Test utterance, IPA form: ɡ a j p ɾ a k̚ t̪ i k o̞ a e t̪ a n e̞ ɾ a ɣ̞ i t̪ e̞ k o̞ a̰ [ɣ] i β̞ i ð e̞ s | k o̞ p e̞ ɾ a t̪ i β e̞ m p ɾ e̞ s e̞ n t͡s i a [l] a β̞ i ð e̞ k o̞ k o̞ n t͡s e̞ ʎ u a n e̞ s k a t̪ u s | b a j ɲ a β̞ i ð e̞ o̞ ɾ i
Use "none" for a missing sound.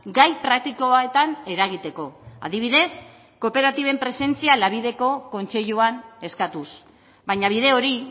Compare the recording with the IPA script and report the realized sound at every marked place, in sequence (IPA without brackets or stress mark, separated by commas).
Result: ð, l